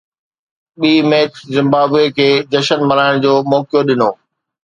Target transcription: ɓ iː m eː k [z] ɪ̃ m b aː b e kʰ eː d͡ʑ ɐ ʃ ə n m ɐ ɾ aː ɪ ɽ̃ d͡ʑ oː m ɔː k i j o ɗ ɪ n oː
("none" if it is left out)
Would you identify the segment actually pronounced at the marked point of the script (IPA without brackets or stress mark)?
z